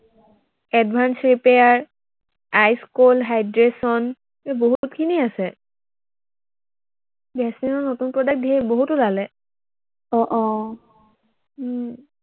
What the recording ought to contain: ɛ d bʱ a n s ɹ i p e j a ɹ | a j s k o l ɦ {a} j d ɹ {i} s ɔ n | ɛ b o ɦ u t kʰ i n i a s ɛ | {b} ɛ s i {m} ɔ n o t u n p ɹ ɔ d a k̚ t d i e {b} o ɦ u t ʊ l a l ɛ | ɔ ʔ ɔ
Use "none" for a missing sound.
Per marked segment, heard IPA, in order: a, e, b, n, b

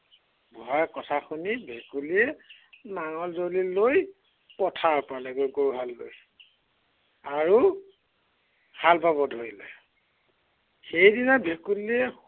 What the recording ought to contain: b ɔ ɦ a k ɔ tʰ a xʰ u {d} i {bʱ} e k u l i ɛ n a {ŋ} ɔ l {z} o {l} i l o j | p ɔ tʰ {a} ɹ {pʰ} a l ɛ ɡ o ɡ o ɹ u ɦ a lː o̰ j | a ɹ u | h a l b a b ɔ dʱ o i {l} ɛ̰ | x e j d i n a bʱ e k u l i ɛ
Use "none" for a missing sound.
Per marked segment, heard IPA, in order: n, bʱ, ŋ, z, l, a, p, l

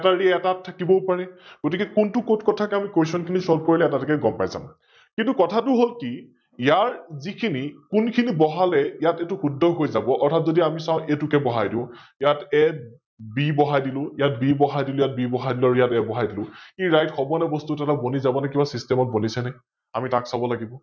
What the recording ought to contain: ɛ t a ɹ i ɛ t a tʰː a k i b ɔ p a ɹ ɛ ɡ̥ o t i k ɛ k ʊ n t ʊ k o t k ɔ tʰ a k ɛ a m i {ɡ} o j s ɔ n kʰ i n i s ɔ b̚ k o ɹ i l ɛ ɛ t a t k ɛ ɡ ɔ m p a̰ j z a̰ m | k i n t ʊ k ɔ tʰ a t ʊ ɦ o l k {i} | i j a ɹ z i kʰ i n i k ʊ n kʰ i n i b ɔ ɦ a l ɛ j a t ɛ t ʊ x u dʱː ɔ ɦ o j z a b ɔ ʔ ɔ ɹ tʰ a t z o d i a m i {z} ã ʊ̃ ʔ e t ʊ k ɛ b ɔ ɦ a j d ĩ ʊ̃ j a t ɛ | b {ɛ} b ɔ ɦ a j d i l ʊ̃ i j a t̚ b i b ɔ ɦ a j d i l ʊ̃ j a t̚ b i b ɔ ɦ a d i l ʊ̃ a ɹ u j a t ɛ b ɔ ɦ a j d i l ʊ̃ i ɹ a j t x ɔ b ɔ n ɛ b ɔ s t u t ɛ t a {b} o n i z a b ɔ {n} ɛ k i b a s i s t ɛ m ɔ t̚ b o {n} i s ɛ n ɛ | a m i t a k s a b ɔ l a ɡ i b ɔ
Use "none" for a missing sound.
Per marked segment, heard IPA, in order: k, i, s, i, b, n, n

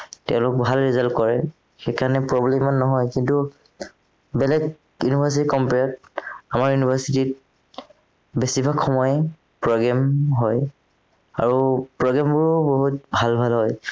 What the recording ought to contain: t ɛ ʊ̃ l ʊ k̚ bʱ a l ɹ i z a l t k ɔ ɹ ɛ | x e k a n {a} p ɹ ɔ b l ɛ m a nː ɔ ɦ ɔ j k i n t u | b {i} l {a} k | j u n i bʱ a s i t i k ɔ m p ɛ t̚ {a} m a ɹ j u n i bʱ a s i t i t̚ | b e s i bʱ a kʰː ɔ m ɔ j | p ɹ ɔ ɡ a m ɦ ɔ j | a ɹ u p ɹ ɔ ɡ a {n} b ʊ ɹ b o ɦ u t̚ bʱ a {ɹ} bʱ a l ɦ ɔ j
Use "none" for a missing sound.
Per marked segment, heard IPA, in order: ɛ, ɛ, ɛ, a, m, l

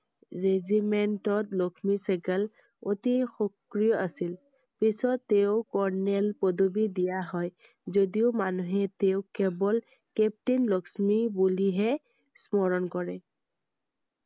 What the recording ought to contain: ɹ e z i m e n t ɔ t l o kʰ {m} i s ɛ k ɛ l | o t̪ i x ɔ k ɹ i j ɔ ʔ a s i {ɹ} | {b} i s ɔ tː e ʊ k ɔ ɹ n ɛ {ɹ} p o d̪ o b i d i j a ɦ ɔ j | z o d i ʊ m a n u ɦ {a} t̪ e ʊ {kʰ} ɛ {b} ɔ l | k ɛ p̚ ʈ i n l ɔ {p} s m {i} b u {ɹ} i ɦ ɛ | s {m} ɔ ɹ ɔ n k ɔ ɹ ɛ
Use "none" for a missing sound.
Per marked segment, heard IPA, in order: m, l, p, l, ɛ, k, b, k, i, l, m

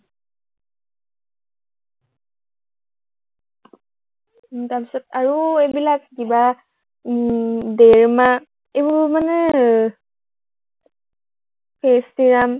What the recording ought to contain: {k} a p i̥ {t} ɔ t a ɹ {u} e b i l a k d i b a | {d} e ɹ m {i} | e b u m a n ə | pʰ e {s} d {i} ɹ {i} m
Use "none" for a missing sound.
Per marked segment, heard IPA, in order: t, s, u, d, a, s, i, a

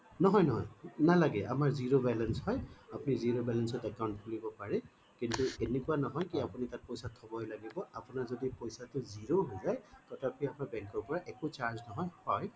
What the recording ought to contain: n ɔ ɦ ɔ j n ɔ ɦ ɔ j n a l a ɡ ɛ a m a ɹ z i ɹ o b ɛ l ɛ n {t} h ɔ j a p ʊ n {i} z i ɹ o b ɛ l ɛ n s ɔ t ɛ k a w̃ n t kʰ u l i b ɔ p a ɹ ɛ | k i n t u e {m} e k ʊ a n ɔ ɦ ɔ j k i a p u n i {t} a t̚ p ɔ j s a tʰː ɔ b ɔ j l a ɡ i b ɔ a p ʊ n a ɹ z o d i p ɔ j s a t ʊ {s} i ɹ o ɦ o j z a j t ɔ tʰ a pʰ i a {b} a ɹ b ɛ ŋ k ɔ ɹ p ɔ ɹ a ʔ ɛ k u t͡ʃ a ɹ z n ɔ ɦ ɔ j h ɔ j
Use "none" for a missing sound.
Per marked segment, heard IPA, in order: s, i, n, t, z, m

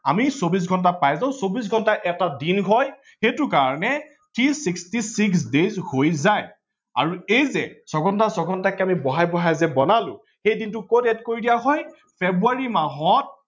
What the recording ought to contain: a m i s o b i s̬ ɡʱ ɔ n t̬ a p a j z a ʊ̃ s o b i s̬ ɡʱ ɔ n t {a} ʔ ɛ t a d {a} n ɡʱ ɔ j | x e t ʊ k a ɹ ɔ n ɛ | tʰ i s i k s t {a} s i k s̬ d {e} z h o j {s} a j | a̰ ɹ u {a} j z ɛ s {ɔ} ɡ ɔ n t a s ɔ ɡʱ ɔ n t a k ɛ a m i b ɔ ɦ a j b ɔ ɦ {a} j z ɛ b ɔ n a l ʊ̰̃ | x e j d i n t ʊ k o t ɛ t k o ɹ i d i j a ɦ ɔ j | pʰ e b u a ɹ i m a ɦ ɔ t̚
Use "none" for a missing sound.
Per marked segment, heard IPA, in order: a, i, i, e, z, e, ɔ, a

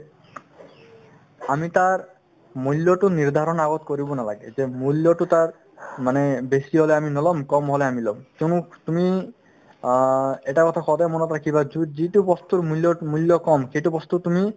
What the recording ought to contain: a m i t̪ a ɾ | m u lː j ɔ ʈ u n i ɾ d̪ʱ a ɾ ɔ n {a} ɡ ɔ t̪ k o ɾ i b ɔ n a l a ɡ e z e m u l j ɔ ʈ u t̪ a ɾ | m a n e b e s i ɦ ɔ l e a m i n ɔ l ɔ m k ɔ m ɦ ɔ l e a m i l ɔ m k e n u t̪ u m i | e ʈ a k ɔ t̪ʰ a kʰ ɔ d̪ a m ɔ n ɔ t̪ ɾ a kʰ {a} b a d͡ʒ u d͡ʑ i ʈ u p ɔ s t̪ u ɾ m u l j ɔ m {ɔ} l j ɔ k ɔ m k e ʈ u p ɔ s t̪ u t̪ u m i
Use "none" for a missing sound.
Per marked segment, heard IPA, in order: a, i, u

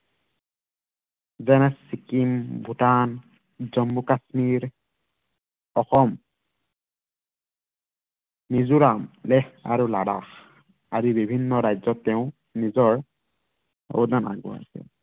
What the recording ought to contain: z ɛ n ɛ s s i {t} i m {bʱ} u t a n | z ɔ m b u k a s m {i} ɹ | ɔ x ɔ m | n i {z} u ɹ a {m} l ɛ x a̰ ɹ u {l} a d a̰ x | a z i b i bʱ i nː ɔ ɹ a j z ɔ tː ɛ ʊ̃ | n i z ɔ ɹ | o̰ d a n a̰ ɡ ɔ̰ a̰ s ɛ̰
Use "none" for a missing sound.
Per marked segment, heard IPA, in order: k, bʱ, i, z, m, l

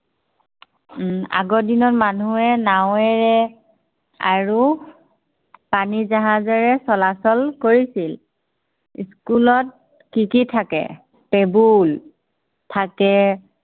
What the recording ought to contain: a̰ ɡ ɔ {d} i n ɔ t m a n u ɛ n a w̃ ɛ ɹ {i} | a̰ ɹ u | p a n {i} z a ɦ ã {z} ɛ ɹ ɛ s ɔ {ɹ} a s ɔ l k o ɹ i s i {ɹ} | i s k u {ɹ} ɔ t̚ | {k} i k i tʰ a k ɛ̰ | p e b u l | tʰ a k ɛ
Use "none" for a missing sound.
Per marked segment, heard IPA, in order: d, ɛ, i, z, l, l, l, k

